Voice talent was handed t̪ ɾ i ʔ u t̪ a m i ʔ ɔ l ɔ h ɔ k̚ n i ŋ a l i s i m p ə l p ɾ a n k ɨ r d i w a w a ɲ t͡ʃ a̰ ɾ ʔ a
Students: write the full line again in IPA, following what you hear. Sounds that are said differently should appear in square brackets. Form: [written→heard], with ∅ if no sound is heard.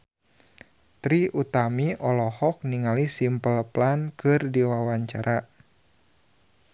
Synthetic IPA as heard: t̪ ɾ i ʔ u t̪ a m i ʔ ɔ l ɔ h ɔ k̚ n i ŋ a l i s i m p ə l p [ɾ→l] a n k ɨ r d i w a w a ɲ t͡ʃ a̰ ɾ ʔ a